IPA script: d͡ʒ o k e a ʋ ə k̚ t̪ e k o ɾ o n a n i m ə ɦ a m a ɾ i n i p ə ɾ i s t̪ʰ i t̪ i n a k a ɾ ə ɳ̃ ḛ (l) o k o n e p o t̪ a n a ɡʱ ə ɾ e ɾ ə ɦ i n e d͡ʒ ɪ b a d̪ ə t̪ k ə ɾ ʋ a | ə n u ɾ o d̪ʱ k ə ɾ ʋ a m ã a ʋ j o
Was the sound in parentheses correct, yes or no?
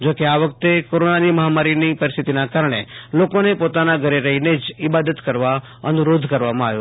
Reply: yes